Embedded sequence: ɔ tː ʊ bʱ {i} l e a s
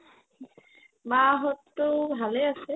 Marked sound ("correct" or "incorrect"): incorrect